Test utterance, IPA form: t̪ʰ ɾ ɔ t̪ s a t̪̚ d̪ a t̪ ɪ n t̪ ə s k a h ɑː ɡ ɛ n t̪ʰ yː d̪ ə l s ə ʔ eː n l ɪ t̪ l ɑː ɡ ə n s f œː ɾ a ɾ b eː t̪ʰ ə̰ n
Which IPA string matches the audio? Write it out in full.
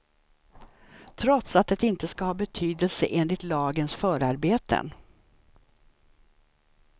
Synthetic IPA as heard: t̪ʰ ɾ ɔ t̪ s a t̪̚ d̪ ɛ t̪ ɪ n t̪ ə s k a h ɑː b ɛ t̪ʰ yː d̪ ə l s ə ʔ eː n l ɪ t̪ l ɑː ɡ ə n s f œː ɾ a ɾ b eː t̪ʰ ə̰ n